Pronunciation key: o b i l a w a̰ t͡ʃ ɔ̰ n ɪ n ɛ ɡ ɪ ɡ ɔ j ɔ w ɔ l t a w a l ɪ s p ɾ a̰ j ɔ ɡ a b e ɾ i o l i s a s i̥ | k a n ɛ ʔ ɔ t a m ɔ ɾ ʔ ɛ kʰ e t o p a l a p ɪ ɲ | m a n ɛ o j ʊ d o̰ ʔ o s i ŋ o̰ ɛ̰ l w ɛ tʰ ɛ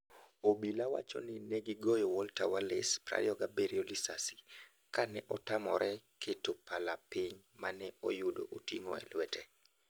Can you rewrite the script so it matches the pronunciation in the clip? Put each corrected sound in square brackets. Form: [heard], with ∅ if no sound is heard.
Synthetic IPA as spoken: o b i l a w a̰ t͡ʃ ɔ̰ n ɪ n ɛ ɡ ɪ ɡ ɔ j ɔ w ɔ l t a w a l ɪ s p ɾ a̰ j ɔ ɡ a b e ɾ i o l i s a s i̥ | k a n ɛ ʔ ɔ t a m ɔ ɾ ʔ ɛ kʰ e t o p a l a p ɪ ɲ | m a n ɛ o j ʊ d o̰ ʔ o [t] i ŋ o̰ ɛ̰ l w ɛ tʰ ɛ